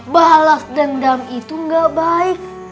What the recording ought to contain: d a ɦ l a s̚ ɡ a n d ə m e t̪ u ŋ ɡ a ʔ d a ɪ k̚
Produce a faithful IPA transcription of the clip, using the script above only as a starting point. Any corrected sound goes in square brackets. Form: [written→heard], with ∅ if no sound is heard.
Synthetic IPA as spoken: [d→b] a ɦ l a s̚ [ɡ→d] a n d [ə→a] m [e→i] t̪ u ŋ ɡ a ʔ [d→b] a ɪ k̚